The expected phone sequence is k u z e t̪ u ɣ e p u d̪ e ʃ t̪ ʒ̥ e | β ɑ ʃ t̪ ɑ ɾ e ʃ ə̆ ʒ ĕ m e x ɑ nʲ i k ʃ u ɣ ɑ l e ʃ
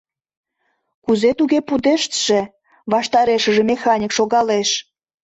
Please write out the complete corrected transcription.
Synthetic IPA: k u z e t̪ u ɣ e p u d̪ e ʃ t̪ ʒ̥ e | β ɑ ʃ t̪ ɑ ɾ e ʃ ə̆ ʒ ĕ m e x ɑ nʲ i k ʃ o ɣ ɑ l e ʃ